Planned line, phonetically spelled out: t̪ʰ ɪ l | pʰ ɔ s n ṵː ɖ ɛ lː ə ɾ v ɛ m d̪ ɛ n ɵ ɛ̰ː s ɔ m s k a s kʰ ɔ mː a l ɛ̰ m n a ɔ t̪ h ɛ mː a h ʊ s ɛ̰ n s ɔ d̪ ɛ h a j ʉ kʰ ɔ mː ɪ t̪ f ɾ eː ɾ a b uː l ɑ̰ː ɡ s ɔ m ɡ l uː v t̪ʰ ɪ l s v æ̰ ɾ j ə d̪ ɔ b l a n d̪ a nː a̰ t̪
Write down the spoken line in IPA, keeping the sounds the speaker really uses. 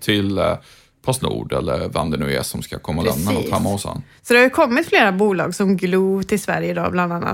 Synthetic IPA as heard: t̪ʰ ɪ l | pʰ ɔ s n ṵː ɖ ɛ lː ə ɾ v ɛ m d̪ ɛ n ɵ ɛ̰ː s ɔ m s k a kʰ ɔ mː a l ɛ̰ m n a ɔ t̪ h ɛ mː a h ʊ s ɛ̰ n s ɔ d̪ ɛ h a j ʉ kʰ ɔ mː ɪ t̪ f l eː ɾ a b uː l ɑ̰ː ɡ s ɔ m ɡ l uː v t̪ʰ ɪ l s v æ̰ ɾ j ə d̪ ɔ b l a n d̪ a nː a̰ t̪